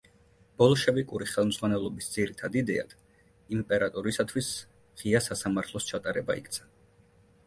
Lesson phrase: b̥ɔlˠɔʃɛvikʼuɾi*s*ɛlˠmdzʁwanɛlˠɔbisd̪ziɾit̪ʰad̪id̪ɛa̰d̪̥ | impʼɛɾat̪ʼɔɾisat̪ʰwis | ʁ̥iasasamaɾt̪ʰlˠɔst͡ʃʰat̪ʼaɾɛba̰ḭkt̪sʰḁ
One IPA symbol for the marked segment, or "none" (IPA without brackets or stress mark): χ